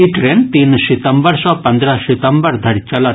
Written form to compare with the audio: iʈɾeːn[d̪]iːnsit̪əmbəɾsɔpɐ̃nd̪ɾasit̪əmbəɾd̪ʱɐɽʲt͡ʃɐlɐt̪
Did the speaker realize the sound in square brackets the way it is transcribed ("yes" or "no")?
no